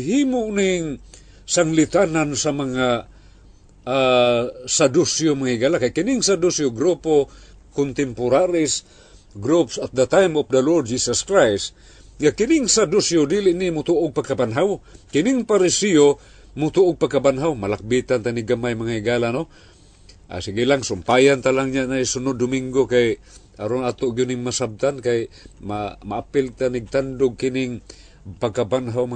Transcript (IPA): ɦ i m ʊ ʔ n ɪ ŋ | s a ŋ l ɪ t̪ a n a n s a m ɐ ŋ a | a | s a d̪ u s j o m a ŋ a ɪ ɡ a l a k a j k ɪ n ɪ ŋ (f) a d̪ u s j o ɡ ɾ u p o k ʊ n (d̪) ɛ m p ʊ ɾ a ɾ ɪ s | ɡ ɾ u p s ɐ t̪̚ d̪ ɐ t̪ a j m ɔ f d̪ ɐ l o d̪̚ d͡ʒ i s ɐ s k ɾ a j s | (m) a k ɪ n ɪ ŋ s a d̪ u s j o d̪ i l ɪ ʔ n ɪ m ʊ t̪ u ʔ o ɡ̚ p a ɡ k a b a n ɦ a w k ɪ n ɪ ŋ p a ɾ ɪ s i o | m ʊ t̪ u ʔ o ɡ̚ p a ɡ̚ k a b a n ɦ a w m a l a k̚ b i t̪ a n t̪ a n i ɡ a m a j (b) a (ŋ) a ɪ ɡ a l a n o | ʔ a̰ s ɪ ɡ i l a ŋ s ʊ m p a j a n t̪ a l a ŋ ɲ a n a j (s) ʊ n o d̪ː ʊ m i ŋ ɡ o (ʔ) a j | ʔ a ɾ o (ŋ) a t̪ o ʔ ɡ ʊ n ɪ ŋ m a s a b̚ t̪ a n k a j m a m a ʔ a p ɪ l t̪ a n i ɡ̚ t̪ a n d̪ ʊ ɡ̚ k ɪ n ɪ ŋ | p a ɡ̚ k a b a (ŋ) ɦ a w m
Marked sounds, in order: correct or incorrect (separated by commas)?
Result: incorrect, incorrect, incorrect, incorrect, correct, correct, incorrect, incorrect, incorrect